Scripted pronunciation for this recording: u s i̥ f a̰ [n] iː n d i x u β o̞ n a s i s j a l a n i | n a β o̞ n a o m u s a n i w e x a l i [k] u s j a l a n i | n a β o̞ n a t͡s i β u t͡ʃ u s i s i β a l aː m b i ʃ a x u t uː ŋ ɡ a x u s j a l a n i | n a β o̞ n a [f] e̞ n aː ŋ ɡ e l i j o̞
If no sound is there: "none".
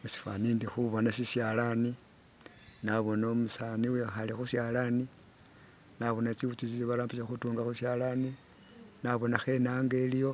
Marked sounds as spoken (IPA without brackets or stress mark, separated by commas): n, x, x